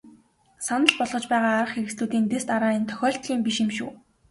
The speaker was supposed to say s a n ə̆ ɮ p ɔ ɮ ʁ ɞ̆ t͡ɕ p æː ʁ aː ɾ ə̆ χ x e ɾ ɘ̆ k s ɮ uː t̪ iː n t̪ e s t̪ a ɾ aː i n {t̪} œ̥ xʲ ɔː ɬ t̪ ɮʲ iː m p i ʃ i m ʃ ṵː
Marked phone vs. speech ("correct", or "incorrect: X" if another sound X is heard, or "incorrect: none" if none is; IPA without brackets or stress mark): incorrect: t̪ʰ